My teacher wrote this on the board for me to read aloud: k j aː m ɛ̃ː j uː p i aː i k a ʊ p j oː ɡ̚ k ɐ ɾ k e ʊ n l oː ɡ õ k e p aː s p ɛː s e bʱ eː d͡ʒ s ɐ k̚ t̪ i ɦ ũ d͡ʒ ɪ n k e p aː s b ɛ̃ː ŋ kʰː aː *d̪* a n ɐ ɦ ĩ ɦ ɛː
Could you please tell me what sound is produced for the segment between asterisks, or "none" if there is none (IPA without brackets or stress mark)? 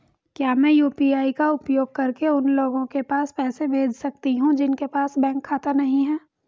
t̪